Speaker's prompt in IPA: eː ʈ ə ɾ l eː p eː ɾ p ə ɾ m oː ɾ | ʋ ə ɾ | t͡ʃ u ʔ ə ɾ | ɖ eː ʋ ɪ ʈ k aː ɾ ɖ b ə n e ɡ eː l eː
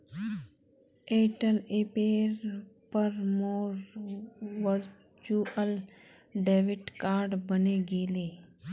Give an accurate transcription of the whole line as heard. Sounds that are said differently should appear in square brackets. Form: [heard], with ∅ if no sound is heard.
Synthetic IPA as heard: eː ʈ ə [∅] l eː p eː ɾ p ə ɾ m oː ɾ | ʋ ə ɾ | t͡ʃ u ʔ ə [l] | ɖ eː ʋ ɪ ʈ k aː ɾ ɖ b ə n e ɡ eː l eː